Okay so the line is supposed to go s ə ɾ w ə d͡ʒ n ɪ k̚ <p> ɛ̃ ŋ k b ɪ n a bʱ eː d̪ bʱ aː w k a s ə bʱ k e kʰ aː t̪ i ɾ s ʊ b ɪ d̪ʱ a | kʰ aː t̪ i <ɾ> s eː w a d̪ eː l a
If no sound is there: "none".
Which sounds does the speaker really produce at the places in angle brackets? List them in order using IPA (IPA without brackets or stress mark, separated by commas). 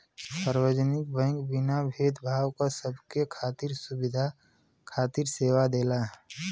b, ɾ